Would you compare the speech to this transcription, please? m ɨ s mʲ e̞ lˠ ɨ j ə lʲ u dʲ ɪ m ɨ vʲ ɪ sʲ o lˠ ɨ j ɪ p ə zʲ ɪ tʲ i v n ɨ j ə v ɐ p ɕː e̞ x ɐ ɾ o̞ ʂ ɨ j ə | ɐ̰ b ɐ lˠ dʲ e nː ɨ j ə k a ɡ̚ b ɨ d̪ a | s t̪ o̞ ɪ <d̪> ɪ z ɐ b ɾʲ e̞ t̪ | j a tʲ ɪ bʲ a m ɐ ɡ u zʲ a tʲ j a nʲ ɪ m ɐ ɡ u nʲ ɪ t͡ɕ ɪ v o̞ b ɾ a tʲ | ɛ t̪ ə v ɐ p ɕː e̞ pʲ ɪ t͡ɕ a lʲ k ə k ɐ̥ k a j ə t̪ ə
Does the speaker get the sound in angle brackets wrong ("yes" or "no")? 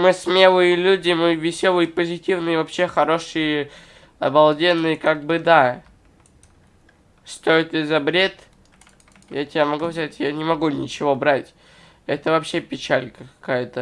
yes